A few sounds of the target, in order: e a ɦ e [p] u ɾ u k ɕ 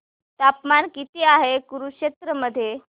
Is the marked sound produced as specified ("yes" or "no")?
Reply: no